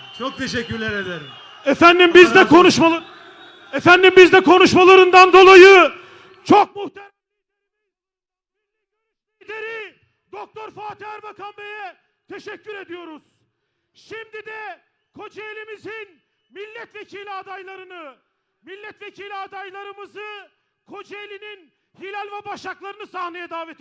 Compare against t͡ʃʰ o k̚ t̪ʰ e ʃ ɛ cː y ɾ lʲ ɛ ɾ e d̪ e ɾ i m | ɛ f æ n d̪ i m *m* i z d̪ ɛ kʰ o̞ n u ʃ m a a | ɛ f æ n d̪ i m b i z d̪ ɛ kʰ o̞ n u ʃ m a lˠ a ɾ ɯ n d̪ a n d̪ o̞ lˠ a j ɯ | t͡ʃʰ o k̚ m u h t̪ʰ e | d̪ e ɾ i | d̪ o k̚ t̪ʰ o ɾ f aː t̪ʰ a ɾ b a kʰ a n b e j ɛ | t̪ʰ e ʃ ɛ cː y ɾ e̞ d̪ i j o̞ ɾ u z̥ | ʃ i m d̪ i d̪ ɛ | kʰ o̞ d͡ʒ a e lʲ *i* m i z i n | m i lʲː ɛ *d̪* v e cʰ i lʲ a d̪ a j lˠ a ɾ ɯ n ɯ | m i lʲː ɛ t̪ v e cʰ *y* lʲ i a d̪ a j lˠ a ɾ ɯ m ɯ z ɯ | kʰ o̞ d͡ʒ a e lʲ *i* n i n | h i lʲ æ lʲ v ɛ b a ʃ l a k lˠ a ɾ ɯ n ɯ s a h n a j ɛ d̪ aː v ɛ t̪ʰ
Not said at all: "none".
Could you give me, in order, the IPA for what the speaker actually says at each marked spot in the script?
b, i, t̪, i, i

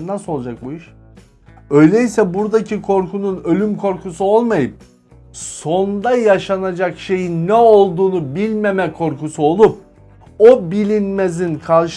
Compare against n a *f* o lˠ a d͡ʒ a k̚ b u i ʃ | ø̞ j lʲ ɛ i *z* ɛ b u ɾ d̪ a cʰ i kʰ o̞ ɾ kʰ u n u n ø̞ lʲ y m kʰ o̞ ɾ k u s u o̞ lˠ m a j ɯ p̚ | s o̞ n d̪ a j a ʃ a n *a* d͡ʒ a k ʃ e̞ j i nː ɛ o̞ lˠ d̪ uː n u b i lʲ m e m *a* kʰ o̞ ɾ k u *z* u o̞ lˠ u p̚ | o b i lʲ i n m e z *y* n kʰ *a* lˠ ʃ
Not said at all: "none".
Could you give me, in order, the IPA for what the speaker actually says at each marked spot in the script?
s, s, a, ɛ, s, i, a

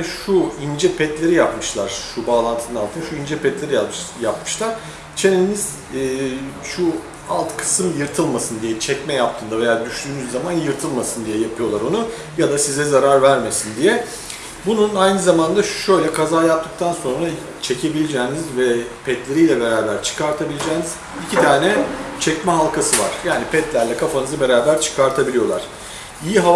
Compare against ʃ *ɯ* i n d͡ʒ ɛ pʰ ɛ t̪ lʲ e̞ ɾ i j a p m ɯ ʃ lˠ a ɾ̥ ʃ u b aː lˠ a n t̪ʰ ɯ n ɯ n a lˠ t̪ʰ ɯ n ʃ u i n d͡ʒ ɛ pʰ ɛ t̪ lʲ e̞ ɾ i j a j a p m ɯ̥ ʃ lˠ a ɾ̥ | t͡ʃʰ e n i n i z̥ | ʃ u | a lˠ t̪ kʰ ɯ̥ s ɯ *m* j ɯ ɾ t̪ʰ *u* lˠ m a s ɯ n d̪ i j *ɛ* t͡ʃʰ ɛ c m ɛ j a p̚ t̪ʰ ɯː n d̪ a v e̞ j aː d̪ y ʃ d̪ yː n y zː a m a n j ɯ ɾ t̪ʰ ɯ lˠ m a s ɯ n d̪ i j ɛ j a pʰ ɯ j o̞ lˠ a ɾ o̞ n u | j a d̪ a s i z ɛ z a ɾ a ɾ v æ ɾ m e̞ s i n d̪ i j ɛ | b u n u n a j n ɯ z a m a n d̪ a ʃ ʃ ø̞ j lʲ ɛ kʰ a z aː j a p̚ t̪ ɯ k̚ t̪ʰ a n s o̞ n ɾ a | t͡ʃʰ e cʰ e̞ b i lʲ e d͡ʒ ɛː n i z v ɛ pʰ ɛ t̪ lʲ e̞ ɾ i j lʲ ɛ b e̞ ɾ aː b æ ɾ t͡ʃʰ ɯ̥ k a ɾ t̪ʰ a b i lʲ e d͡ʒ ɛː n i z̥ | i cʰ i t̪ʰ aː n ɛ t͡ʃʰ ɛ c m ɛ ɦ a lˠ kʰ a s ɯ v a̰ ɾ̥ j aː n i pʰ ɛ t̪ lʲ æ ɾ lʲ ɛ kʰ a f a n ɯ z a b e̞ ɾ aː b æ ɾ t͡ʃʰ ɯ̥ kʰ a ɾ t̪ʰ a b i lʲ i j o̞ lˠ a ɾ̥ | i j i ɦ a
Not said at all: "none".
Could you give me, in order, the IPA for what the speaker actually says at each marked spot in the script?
u, m, ɯ, ɛ

